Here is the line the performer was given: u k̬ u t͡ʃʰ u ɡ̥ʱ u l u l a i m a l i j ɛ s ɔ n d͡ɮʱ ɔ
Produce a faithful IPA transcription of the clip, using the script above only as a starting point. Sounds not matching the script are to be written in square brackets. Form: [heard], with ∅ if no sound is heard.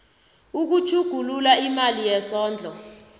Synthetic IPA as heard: u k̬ u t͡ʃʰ u ɡ̥ʱ u l u l a i m a l i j ɛ s [ɔː] n d͡ɮʱ ɔ